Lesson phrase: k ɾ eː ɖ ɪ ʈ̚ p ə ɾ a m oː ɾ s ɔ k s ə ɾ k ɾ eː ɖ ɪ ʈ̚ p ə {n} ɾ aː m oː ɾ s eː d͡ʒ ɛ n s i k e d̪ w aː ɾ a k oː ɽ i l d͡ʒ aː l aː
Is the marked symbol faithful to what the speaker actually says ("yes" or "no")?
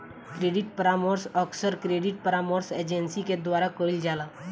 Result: no